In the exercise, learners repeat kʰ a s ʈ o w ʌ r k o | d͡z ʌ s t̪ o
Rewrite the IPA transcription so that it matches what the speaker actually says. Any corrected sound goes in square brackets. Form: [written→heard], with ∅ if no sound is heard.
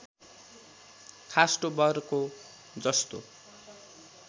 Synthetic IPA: kʰ a s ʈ o [w→b] ʌ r k o | d͡z ʌ s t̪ o